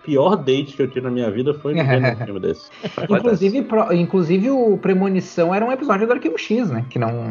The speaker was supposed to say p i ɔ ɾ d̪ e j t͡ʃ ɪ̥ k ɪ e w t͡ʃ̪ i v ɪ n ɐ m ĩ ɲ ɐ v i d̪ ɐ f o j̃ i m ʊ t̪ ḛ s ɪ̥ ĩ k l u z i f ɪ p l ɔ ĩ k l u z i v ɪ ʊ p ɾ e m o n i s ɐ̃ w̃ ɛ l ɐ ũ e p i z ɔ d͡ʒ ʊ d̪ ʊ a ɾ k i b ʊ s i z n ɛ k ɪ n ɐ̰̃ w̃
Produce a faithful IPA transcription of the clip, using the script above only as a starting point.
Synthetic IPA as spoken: p i ɔ ɾ d̪ e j t͡ʃ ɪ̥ k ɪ e w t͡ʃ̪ i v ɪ n ɐ m ĩ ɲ ɐ v i d̪ ɐ f o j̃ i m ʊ d̪ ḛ s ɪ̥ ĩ k l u z i v ɪ p ɾ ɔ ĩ k l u z i v ɪ ʊ p ɾ e m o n i s ɐ̃ w̃ ɛ ɾ ɐ ũ e p i z ɔ d͡ʒ ʊ d̪ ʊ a ɾ k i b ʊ ʃ i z n ɛ k ɪ n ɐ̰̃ w̃